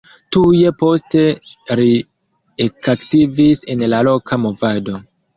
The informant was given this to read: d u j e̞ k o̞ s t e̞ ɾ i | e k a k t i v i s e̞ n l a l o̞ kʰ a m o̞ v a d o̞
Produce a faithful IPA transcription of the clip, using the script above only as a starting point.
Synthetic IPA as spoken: t u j e̞ p o̞ s t e̞ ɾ i | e k a k t i v i s e̞ n l a l o̞ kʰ a m o̞ v a d o̞